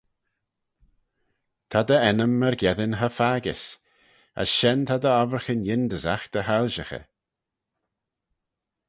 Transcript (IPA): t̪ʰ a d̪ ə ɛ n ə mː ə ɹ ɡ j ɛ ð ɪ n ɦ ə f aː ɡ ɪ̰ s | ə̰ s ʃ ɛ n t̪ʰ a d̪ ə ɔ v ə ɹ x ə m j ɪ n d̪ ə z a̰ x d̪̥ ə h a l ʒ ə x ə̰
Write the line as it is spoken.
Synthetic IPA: t̪ʰ a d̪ ə ɛ n ə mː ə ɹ ɡ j ɛ ð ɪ n ɦ ə f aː ɡ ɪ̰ s | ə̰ s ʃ ɛ n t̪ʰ a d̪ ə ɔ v ə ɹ x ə n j ɪ n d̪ ə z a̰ x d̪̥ ə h a l ʒ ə x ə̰